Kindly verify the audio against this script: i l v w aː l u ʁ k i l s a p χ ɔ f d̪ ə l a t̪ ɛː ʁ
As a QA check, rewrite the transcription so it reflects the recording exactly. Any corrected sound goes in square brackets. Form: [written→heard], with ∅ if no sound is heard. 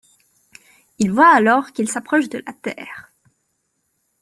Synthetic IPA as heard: i l v w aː l [u→ɔ] ʁ k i l s a p χ ɔ [f→ʃ] d̪ ə l a t̪ ɛː ʁ